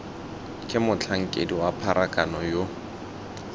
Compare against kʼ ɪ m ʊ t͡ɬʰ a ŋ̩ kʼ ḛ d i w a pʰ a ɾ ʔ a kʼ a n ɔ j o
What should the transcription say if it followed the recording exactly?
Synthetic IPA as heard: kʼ ɪ m ʊ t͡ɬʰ a ŋ̩ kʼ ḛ d i w a pʰ a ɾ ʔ a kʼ a n ɔ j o